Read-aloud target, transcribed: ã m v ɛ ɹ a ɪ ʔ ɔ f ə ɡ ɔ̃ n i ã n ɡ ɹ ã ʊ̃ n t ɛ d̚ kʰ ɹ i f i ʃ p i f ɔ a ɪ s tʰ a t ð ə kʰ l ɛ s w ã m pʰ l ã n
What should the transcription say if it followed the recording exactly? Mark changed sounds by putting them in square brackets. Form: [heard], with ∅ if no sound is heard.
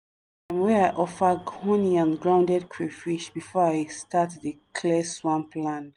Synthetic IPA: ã m [w] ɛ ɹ a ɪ ʔ ɔ f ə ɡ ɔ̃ n i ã n ɡ ɹ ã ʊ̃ n [d] ɛ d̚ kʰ ɹ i f i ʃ [b] i f ɔ a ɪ s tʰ a t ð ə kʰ l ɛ s w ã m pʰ l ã n